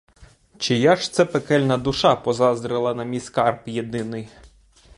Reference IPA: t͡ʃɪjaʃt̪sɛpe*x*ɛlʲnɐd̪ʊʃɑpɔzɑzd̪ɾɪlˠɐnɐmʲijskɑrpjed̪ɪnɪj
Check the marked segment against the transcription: incorrect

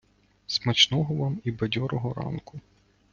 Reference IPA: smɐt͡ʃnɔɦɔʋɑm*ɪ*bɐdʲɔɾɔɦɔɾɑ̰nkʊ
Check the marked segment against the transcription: incorrect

